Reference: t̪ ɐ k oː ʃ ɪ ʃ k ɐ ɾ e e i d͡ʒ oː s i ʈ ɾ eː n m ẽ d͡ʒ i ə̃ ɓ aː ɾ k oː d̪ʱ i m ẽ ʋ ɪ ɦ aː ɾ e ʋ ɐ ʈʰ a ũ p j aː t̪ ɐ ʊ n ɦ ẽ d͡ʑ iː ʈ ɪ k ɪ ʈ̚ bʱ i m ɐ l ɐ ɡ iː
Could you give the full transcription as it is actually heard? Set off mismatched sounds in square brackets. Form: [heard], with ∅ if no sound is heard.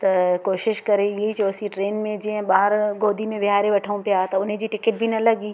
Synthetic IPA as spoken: t̪ ɐ k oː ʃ ɪ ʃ k ɐ ɾ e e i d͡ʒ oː s i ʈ ɾ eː n m ẽ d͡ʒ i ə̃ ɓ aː ɾ [ɡ] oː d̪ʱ i m ẽ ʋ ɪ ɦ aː ɾ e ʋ ɐ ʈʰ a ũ p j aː t̪ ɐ ʊ n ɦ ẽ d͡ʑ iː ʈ ɪ k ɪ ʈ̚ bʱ i [n] ɐ l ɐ ɡ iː